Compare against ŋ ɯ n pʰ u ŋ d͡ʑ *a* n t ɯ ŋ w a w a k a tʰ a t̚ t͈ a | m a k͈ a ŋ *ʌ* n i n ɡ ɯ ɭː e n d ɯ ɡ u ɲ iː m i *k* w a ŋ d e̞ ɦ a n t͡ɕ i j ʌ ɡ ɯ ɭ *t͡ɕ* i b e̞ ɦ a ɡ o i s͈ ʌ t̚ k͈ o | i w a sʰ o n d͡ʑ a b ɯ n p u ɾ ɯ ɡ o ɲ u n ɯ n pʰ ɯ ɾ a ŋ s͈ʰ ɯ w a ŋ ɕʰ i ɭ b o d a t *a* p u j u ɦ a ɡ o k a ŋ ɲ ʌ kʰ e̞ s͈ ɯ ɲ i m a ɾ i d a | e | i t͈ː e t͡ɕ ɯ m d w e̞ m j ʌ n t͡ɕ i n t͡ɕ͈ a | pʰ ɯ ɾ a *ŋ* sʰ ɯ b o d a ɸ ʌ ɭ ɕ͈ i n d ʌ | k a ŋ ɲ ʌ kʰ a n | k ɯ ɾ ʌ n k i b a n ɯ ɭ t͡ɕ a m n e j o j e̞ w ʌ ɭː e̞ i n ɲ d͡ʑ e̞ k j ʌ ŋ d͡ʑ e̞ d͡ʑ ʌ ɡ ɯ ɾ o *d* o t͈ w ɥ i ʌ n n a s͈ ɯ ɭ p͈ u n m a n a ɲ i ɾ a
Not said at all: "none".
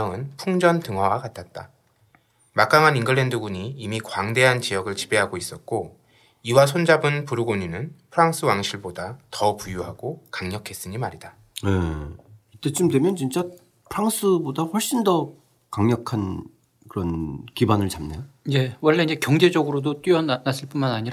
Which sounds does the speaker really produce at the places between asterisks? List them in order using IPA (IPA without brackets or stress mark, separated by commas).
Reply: ʌ, a, k, t͡ɕ, ʌ, ŋ, d